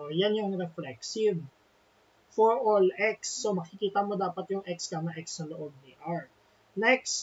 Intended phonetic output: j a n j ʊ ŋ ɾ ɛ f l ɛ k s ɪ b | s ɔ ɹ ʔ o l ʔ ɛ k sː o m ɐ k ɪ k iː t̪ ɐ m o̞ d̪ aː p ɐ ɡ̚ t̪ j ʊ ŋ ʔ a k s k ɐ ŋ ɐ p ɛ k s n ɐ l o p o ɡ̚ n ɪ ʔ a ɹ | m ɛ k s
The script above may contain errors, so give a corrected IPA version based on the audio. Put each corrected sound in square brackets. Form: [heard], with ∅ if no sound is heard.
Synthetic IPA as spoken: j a n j ʊ ŋ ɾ ɛ f l ɛ k s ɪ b | [f] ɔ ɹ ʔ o l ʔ ɛ k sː o m ɐ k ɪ k iː t̪ ɐ m o̞ d̪ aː p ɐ [∅] t̪ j ʊ ŋ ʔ [ɛ] k s k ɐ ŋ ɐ [ʔ] ɛ k s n ɐ l o [ʔ] o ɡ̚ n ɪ ʔ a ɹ | [n] ɛ k s